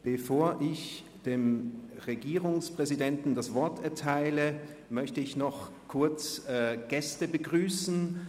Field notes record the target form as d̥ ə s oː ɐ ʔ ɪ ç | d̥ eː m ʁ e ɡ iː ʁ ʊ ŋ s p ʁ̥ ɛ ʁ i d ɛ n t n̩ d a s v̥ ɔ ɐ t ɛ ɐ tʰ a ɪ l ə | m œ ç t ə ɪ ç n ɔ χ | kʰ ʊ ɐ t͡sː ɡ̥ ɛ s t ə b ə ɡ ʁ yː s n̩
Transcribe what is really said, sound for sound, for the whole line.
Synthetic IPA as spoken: b̥ ə f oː ɐ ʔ ɪ ç | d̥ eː m ʁ e ɡ iː ʁ ʊ ŋ s p ʁ̥ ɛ z i d ɛ n t n̩ d a s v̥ ɔ ɐ t ɛ ɐ tʰ a ɪ l ə | m œ ç t ə ɪ ç n ɔ χ | kʰ ʊ ɐ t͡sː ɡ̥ ɛ s t ə b ə ɡ ʁ yː s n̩

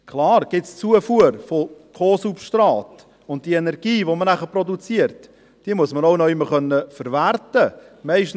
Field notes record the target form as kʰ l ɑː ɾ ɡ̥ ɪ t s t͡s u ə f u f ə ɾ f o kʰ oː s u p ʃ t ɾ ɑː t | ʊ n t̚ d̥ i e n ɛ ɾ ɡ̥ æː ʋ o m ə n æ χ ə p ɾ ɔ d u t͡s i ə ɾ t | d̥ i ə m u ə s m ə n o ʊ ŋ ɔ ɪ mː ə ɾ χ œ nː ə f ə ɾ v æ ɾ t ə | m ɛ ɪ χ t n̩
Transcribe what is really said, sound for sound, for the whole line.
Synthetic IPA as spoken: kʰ l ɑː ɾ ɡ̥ ɪ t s t͡s u ə f u ə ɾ f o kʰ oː s u p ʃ t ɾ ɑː t | ʊ n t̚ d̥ i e n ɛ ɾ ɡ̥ iː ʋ o m ə n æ χ ə p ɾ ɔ d u t͡s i ə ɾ t | d̥ i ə m u ə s m ə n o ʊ n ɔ ɪ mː ə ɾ χ œ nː ə f ə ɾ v æ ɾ t ə | m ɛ ɪ ʃ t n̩

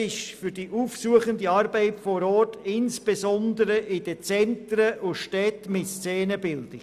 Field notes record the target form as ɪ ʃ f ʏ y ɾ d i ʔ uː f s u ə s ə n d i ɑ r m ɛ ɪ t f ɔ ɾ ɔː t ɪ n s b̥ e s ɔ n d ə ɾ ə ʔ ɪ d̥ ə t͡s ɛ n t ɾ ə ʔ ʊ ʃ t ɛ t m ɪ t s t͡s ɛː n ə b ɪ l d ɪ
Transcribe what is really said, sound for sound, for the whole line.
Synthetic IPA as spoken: ɪ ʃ f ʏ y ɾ d i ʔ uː f s u ə χ ə n d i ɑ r b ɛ ɪ t f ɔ ɾ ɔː t ɪ n s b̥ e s ɔ n d ə ɾ ə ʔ ɪ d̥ ə t͡s ɛ n t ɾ ə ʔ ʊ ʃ t ɛ t m ɪ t s t͡s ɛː n ə b ɪ l d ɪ

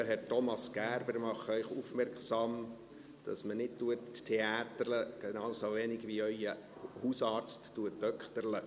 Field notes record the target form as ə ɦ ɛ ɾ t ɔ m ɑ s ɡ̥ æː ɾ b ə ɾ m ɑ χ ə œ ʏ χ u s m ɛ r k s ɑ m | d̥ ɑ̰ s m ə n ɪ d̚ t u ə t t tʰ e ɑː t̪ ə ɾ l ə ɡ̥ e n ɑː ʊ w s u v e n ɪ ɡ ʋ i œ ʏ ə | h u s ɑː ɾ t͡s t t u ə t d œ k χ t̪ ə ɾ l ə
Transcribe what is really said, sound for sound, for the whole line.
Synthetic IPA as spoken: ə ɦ ɛ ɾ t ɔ m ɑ s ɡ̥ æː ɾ b ə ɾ m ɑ χ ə œ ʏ χ u f m ɛ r k s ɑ m | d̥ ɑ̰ s m ə n ɪ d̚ t u ə t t tʰ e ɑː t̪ ə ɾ l ə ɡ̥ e n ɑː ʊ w s o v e n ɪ ɡ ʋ i œ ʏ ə | h u s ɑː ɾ t͡s t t u ə t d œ k χ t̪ ə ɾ l ə

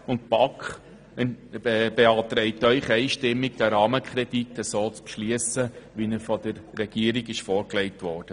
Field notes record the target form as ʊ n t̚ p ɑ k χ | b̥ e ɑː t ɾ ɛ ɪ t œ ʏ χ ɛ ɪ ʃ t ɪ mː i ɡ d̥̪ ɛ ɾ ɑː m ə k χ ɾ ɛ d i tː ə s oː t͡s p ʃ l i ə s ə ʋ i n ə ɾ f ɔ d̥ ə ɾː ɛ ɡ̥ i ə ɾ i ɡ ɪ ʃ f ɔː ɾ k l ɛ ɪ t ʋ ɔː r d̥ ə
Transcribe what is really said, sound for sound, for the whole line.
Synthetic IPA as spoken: ʊ n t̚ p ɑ k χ | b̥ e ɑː t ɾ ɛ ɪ t œ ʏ χ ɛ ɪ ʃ t ɪ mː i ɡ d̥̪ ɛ ɾ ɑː m ə k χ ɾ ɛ d i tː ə s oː t͡s p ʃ l i ə s ə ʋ i n ə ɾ f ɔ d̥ ə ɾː ɛ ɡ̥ i ə ɾ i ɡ ɪ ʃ f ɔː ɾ k l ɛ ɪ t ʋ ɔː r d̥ ə

